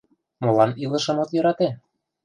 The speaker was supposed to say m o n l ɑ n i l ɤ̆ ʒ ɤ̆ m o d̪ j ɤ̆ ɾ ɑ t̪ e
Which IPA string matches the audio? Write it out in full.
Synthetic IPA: m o l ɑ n i l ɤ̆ ʃ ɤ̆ m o t̪ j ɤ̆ ɾ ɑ t̪ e